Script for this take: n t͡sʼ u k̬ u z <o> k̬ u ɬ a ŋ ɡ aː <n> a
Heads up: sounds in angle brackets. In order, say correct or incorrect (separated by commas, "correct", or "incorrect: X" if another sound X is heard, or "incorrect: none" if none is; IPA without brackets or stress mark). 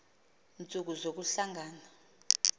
correct, correct